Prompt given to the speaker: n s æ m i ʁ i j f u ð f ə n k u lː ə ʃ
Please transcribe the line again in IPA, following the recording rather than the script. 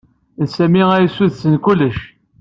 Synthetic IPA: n s æ m i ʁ æ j s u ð s ə n k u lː ə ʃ